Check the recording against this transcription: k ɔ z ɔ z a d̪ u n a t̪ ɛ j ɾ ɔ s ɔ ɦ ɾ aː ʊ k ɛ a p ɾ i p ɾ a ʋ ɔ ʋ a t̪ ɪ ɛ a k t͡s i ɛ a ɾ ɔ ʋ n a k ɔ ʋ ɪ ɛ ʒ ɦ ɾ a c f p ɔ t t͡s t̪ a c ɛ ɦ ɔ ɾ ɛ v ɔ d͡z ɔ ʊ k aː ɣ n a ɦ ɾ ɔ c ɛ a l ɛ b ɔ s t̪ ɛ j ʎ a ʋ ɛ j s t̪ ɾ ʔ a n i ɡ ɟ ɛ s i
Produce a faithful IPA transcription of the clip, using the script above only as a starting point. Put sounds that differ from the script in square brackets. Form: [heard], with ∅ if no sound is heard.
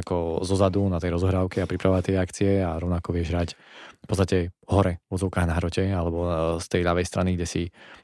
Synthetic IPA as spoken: k ɔ z ɔ z a d̪ u n a t̪ ɛ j ɾ ɔ [z] ɔ ɦ ɾ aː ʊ k ɛ a p ɾ i p ɾ a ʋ ɔ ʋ a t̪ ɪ ɛ a k t͡s i ɛ a ɾ ɔ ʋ n a k ɔ ʋ ɪ ɛ ʒ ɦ ɾ a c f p ɔ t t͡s t̪ a c ɛ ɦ ɔ ɾ ɛ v ɔ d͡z ɔ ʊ k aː ɣ n a ɦ ɾ ɔ c ɛ a l ɛ b ɔ s t̪ ɛ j ʎ a ʋ ɛ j s t̪ ɾ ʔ a n i ɡ ɟ ɛ s i